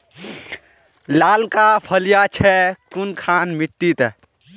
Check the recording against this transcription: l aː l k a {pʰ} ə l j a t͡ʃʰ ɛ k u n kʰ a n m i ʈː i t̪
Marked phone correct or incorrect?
correct